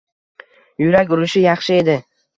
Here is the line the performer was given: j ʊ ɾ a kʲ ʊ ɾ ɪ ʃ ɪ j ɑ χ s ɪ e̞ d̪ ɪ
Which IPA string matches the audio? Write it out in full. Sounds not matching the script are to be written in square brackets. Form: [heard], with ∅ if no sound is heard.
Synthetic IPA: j ʊ ɾ a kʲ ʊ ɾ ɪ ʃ ɪ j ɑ χ [ʃ] ɪ e̞ d̪ ɪ